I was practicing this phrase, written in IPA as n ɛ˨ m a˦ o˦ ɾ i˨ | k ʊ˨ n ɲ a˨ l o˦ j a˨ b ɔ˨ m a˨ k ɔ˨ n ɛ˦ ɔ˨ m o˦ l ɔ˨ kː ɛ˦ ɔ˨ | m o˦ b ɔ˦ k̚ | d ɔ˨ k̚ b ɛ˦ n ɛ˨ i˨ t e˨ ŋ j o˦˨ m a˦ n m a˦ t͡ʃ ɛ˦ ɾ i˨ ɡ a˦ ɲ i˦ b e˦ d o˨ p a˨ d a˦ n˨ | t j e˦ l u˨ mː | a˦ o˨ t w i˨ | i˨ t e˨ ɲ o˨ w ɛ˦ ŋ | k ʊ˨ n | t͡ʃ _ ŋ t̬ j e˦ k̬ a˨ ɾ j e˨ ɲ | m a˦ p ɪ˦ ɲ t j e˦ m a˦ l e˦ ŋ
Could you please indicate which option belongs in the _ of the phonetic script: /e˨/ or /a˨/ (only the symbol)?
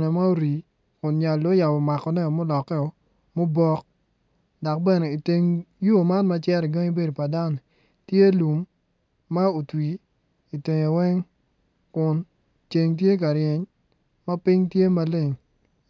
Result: e˨